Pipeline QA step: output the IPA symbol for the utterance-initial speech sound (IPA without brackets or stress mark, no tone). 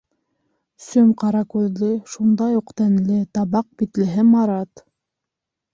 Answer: s